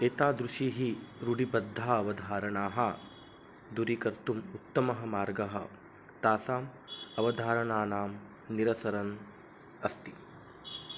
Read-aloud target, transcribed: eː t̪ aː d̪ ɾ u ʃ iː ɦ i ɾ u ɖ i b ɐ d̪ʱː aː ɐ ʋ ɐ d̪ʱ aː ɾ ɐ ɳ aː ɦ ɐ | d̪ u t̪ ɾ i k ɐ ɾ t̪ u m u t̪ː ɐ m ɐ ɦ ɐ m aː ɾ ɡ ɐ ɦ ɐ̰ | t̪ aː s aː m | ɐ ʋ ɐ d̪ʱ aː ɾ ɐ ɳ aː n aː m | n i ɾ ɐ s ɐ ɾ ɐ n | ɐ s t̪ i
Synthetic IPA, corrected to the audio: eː t̪ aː d̪ ɾ u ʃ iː ɦ i ɾ u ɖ i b ɐ d̪ʱː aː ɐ ʋ ɐ d̪ʱ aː ɾ ɐ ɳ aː ɦ ɐ | d̪ u ɾ i k ɐ ɾ t̪ u m u t̪ː ɐ m ɐ ɦ ɐ m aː ɾ ɡ ɐ ɦ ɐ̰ | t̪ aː s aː m | ɐ ʋ ɐ d̪ʱ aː ɾ ɐ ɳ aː n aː m | n i ɾ ɐ s ɐ ɾ ɐ n | ɐ s t̪ i